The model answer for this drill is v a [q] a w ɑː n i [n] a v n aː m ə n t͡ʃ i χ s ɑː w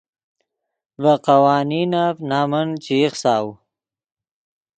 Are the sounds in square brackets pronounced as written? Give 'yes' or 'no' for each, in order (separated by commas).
yes, yes